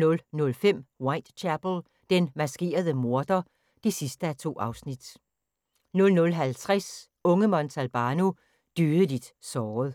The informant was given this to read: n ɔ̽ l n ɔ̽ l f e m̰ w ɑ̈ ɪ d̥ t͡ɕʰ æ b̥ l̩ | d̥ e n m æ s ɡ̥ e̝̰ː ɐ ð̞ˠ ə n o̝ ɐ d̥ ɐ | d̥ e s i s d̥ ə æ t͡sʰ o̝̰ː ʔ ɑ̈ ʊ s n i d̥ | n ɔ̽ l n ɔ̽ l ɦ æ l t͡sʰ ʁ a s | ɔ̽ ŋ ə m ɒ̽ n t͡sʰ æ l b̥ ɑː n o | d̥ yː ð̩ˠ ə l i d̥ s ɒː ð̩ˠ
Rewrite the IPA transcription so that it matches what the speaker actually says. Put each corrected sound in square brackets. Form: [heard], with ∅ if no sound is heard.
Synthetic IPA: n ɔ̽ l n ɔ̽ l f e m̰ w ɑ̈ ɪ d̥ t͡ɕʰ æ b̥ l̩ | d̥ e n m æ s ɡ̥ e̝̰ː ɐ ð̞ˠ ə [m] o̝ ɐ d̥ ɐ | d̥ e s i s d̥ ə æ t͡sʰ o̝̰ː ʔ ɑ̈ ʊ s n i d̥ | n ɔ̽ l n ɔ̽ l ɦ æ l t͡sʰ ʁ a s | ɔ̽ ŋ ə m ɒ̽ n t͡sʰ æ l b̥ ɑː n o | d̥ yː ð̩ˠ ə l i d̥ s ɒː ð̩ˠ